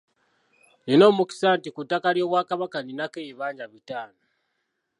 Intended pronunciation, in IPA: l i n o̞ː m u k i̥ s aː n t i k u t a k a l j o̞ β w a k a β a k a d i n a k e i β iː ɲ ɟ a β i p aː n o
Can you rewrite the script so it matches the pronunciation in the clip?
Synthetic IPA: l i n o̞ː m u k i̥ s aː n t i k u t a k a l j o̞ β w a k a β a k a n i n a k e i β aː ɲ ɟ a β i t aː n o